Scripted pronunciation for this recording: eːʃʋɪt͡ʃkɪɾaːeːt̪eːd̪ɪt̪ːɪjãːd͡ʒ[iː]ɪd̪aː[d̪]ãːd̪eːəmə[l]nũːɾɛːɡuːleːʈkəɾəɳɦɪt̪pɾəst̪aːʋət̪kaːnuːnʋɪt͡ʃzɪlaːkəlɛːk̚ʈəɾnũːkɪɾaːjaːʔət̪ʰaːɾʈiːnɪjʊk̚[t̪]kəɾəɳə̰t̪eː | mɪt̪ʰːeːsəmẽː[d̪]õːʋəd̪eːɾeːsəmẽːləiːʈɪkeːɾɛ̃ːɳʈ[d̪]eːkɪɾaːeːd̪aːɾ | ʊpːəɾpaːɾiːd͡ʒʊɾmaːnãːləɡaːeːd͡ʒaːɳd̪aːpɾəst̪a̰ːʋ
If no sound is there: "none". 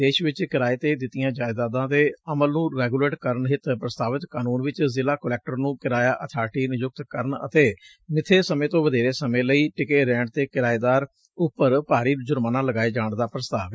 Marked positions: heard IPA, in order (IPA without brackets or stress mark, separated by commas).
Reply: aː, d̪, l, t̪, t̪, t̪